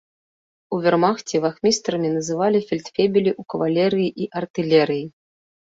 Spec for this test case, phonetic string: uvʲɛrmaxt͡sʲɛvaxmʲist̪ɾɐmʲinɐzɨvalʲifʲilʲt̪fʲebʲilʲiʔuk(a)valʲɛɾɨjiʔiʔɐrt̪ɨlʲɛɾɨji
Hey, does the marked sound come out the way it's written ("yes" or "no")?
no